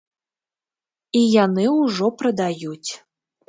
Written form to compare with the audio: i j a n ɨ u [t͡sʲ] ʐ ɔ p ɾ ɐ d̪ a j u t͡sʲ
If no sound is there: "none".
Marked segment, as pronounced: none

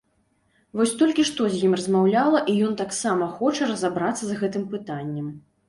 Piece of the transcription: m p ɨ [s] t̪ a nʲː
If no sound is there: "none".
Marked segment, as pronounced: none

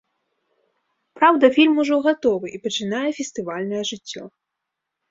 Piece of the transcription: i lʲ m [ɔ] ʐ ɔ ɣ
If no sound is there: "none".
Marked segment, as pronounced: u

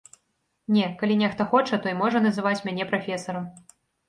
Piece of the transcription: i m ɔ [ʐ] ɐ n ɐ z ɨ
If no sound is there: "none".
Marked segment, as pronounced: ʐ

